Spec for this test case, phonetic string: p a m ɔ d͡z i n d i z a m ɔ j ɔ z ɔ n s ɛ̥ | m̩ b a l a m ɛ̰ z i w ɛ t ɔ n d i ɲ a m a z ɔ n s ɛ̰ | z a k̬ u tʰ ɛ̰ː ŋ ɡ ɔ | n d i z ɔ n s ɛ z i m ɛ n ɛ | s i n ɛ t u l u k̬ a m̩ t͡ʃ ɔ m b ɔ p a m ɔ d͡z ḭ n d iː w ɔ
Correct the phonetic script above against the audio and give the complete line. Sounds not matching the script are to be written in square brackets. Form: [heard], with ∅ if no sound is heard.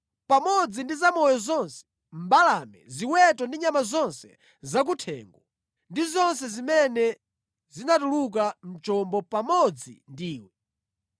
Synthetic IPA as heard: p a m ɔ d͡z i n d i z a m ɔ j ɔ z ɔ n s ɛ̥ | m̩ b a l a m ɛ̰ z i w ɛ t ɔ n d i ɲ a m a z ɔ n s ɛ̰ | z a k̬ u tʰ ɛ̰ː ŋ ɡ ɔ | n d i z ɔ n s ɛ z i m ɛ n ɛ | [z] i n [a] t u l u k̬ a m̩ t͡ʃ ɔ m b ɔ p a m ɔ d͡z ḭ n d iː w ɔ